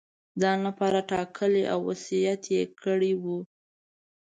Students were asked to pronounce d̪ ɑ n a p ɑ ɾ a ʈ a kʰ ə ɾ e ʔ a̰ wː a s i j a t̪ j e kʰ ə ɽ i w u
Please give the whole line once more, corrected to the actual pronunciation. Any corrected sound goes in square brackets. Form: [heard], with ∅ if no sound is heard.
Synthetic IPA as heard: d̪ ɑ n a p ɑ ɾ a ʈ [ɑ] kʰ ə [l] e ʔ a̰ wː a s i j a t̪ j e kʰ ə ɽ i w u